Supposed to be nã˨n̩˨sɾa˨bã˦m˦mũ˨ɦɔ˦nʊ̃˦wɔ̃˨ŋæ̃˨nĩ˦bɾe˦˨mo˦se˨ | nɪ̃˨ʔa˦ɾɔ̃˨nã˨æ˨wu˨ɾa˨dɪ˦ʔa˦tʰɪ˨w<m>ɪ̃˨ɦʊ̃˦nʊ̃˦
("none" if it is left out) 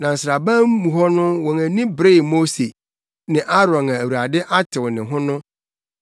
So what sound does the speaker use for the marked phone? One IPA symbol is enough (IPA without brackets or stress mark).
n